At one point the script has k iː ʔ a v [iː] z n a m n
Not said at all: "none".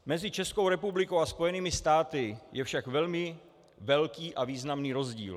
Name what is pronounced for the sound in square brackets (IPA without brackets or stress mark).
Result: iː